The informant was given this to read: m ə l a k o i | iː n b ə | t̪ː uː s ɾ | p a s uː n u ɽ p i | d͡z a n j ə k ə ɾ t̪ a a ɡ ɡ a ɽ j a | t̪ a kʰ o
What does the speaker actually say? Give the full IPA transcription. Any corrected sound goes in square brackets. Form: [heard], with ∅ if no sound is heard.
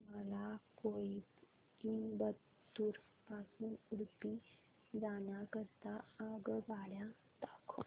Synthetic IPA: m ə l a k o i | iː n b ə | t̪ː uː [∅] ɾ | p a s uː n u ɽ p i | d͡z a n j [a] k ə ɾ t̪ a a ɡ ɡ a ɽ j a | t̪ a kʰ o